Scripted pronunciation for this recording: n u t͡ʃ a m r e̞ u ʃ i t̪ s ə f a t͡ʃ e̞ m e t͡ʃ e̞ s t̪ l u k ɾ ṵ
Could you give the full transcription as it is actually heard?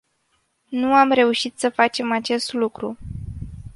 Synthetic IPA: n u a m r e̞ u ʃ i t̪ s ə f a t͡ʃ e̞ m a t͡ʃ e̞ s t̪ l u k ɾ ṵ